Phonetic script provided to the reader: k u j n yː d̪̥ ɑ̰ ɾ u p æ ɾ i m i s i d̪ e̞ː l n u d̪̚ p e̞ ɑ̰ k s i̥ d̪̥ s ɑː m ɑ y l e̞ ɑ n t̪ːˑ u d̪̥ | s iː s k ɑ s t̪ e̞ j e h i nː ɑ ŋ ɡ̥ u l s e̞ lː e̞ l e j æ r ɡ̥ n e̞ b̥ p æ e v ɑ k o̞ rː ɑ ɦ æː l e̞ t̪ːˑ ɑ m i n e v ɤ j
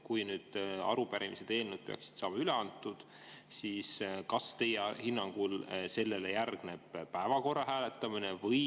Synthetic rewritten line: k u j n yː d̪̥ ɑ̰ ɾ u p æ ɾ i m i s e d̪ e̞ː l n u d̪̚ p e̞ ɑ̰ k s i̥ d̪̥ s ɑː m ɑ y l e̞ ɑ n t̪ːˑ u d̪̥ | s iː s k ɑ s t̪ e̞ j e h i nː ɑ ŋ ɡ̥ u l s e̞ lː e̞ l e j æ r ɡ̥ n e̞ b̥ p æ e v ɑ k o̞ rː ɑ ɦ æː l e̞ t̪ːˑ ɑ m i n e v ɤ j